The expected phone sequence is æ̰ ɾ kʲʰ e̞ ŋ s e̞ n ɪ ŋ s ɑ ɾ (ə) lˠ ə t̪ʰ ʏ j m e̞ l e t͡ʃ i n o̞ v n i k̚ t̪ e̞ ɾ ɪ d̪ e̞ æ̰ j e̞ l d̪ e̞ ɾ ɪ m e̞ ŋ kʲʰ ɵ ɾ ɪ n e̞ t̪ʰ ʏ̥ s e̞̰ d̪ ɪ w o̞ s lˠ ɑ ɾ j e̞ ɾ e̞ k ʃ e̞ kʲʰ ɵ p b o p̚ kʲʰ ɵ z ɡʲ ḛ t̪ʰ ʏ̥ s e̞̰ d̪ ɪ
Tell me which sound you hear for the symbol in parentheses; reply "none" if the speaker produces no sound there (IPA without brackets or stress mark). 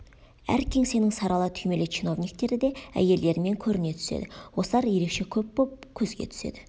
ɑ